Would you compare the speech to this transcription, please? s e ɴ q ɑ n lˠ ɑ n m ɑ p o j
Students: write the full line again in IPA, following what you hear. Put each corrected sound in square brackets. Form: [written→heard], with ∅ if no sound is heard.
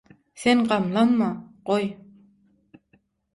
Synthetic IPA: s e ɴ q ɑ [n→m] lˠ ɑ n m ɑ [p→q] o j